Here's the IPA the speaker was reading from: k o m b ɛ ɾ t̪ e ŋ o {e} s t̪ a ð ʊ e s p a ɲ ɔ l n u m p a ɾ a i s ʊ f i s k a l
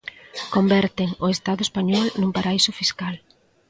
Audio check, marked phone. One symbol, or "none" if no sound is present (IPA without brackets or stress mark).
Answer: e